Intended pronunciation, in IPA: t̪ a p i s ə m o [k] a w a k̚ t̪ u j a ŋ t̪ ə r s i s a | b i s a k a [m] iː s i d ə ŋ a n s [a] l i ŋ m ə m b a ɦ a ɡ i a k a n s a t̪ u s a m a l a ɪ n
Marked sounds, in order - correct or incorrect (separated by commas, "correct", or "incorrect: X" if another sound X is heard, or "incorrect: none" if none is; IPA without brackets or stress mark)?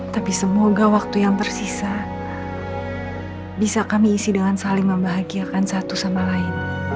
incorrect: ɡ, correct, correct